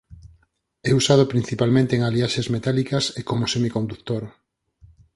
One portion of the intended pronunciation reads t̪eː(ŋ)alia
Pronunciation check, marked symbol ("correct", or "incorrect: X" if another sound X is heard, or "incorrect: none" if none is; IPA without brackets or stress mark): correct